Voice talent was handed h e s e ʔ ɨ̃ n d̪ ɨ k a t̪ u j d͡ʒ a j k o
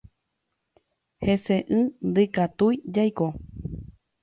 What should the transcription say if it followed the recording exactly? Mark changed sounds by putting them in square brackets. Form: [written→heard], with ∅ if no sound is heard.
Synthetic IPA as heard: h e s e ʔ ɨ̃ n d̪ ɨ k a t̪ u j d͡ʒ a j k o